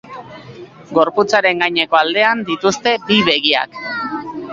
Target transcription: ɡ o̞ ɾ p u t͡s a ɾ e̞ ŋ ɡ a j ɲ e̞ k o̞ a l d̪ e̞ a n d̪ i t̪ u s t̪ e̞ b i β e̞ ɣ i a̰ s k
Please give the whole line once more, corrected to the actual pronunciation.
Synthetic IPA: ɡ o̞ ɾ p u t͡s a ɾ e̞ ŋ ɡ a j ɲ e̞ k o̞ a l d̪ e̞ a n d̪ i t̪ u s t̪ e̞ b i β e̞ ɣ i a̰ k